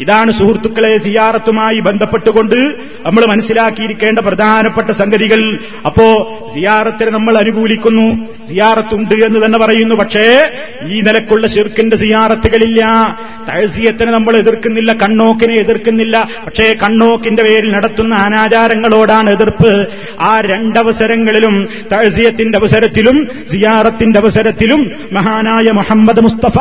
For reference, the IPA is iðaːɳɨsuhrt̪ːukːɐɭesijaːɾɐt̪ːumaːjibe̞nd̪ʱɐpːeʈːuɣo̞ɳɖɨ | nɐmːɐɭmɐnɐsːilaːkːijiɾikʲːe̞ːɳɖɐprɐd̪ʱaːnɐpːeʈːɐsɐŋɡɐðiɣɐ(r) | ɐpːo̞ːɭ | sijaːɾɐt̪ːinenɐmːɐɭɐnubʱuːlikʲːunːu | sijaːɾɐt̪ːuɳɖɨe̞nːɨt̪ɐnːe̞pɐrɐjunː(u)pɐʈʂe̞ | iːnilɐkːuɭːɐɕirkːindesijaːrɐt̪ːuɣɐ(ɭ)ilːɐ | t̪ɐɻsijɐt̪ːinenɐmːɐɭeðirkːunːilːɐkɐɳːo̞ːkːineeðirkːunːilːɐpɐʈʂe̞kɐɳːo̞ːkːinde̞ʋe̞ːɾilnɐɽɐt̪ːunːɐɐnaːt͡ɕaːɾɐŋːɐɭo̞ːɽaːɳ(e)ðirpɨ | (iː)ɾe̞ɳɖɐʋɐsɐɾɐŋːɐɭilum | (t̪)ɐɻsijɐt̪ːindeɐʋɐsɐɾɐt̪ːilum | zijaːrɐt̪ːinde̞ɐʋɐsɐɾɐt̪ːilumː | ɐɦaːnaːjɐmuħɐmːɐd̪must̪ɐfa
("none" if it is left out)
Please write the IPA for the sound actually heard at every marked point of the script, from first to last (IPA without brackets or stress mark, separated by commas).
ɭ, u, ɭ, e, aː, t̪